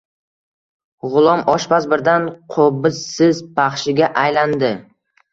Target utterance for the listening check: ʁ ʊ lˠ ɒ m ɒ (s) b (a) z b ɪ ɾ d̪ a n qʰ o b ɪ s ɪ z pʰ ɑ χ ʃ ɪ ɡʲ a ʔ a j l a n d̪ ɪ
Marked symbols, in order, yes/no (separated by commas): no, yes